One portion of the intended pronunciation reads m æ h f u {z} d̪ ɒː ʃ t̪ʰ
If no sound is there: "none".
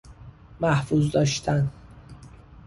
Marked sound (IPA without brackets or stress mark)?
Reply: z